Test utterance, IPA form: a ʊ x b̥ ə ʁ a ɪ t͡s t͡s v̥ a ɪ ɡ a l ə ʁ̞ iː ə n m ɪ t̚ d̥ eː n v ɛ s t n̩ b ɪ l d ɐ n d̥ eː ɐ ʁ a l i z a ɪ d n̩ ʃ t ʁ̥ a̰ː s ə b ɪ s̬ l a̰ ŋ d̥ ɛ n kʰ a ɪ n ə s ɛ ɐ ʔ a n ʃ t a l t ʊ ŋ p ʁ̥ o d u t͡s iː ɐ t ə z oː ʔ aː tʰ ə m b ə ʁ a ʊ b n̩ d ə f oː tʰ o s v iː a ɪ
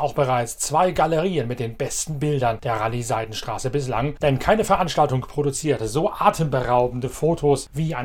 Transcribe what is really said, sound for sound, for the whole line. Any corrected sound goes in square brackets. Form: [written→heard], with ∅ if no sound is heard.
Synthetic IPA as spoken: a ʊ x b̥ ə ʁ a ɪ t͡s t͡s v̥ a ɪ ɡ a l ə ʁ̞ iː ə n m ɪ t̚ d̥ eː n [v→b] ɛ s t n̩ b ɪ l d ɐ n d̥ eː ɐ ʁ a l i z a ɪ d n̩ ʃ t ʁ̥ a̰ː s ə b ɪ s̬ l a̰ ŋ d̥ ɛ n kʰ a ɪ n ə [s→f] ɛ ɐ ʔ a n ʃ t a l t ʊ ŋ p ʁ̥ o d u t͡s iː ɐ t ə z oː ʔ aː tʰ ə m b ə ʁ a ʊ b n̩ d ə f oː tʰ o s v iː a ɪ